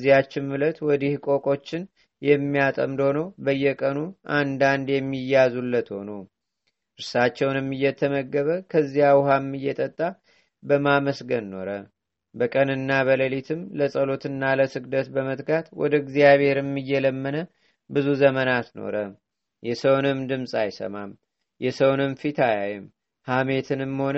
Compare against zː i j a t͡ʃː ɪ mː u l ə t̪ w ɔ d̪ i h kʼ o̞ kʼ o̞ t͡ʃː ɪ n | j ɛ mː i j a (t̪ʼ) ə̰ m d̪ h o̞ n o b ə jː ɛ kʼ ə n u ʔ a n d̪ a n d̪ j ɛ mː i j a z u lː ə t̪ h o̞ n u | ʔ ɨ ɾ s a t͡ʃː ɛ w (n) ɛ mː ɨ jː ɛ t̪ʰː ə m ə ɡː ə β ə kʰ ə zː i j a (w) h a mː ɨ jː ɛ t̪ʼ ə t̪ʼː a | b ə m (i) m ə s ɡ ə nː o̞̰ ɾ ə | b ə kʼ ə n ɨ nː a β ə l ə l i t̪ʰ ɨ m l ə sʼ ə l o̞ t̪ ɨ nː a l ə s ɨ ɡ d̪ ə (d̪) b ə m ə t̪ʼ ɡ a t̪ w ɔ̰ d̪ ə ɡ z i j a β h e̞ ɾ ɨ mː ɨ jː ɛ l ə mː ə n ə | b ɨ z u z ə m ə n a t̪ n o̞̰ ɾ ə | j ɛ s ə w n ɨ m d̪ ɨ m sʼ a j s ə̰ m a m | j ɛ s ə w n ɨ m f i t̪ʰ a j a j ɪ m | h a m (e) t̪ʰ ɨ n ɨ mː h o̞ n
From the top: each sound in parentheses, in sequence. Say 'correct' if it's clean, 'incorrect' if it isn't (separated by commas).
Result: correct, correct, correct, incorrect, incorrect, correct